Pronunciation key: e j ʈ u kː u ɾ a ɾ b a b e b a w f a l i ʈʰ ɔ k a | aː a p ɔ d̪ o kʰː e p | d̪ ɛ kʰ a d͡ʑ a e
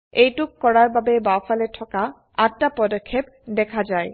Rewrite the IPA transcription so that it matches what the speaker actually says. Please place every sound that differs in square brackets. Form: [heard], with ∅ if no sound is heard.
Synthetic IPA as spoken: e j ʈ u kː [ɔ] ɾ a ɾ b a b e b a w f a l [e] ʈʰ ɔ k a | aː a p ɔ d̪ o kʰː e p | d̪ ɛ kʰ a d͡ʑ a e